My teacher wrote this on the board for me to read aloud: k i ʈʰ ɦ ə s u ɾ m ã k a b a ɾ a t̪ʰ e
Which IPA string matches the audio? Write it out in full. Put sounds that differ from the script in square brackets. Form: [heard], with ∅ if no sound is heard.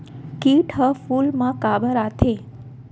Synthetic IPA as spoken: k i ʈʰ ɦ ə [f] u [l] m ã k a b [ə] ɾ a t̪ʰ e